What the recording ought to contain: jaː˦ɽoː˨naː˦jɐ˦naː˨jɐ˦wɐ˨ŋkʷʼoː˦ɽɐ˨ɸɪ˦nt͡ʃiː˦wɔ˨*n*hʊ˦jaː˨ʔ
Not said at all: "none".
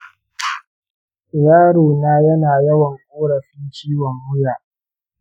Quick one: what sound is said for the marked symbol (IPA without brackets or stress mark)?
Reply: ŋ